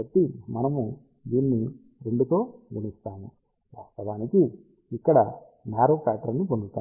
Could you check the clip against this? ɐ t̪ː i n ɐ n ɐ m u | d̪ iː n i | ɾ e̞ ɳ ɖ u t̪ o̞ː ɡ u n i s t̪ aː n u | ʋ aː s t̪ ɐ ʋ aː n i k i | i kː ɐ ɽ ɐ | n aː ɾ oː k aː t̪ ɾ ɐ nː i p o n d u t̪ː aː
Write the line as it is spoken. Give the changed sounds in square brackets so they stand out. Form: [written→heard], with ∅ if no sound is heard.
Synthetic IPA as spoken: ɐ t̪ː i [n→m] ɐ n ɐ m u | d̪ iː [n→nː] i | ɾ e̞ ɳ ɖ u t̪ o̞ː ɡ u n i s t̪ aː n u | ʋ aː s t̪ ɐ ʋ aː n i k i | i kː ɐ ɽ ɐ | n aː ɾ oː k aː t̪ ɾ ɐ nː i p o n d u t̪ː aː